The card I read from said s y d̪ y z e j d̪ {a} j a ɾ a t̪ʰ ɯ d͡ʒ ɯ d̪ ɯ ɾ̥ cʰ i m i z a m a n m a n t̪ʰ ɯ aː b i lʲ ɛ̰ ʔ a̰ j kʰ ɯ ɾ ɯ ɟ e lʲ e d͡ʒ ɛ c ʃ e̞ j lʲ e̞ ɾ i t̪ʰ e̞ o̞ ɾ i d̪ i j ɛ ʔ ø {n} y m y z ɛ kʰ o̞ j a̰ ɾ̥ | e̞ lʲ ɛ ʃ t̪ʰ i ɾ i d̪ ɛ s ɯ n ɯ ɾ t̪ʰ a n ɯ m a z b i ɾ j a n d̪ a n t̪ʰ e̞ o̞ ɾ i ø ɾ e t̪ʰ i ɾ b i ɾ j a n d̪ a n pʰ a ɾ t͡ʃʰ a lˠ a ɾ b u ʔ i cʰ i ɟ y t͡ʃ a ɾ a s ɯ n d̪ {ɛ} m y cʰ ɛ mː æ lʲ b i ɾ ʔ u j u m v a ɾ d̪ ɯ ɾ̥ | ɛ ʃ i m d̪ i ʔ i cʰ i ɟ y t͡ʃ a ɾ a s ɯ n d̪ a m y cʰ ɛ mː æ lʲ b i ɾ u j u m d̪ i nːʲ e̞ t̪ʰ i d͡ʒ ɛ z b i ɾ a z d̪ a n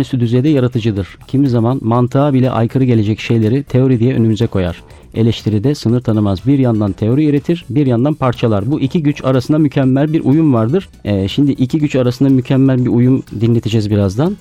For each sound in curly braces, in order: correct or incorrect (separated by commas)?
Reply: incorrect, correct, incorrect